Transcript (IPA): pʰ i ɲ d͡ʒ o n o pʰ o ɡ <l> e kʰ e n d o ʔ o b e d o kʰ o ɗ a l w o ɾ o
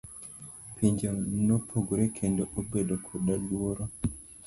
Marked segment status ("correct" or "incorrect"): incorrect